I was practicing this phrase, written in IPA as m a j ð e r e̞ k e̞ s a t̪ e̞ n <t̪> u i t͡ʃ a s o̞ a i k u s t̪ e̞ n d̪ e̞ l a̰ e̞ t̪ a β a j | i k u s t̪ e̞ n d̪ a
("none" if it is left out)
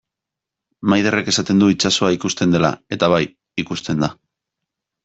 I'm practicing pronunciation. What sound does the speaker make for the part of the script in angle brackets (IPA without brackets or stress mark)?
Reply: d̪